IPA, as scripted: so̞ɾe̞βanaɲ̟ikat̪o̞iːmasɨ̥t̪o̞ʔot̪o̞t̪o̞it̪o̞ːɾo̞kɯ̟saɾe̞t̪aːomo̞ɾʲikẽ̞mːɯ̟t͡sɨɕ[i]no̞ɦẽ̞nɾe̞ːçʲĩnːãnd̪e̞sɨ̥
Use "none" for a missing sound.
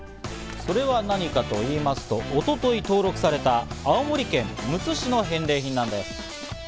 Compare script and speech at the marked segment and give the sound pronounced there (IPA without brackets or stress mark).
i